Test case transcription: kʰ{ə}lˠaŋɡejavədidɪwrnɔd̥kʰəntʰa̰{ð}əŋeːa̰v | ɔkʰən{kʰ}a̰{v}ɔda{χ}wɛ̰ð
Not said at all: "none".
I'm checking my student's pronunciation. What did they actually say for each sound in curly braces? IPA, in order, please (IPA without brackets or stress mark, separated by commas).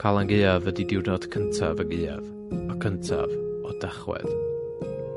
a, v, tʰ, v, χ